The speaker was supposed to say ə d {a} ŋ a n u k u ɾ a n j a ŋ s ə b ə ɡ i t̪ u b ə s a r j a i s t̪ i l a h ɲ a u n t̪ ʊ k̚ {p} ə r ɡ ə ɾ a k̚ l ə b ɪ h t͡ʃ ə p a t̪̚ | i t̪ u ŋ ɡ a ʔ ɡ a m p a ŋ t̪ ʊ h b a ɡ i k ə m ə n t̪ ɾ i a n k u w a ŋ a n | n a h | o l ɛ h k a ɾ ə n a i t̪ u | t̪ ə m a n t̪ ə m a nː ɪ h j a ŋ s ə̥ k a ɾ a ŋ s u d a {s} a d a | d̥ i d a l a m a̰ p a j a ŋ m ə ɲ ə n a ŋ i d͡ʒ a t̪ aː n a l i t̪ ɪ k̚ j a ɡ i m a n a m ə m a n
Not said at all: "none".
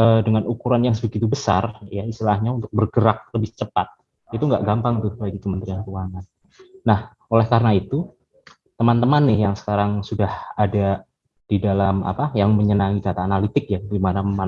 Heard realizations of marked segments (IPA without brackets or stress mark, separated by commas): ə, b, h